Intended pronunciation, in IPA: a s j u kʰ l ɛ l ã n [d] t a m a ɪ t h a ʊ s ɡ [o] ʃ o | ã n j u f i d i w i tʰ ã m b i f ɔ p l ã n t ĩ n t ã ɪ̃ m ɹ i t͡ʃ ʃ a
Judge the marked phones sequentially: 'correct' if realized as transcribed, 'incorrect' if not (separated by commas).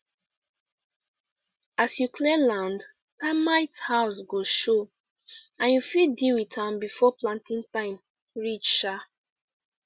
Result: correct, correct